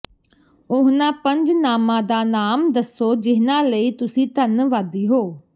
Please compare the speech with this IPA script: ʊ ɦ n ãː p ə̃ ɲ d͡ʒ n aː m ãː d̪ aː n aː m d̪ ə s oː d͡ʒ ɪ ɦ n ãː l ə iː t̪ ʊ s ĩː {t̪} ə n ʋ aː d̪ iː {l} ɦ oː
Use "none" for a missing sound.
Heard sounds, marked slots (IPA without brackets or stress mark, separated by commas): t̪, none